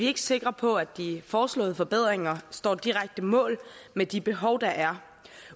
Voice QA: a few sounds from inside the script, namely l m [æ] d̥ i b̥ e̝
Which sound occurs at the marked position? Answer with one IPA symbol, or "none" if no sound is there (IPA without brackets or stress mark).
e